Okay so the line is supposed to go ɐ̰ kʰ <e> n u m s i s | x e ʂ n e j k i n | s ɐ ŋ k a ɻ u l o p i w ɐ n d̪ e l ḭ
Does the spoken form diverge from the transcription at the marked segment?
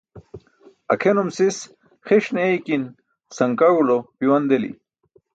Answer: no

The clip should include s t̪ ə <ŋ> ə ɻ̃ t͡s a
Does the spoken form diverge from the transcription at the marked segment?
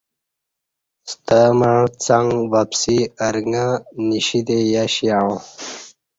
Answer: yes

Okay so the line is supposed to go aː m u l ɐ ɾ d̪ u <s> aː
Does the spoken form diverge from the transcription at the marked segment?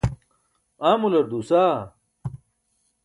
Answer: no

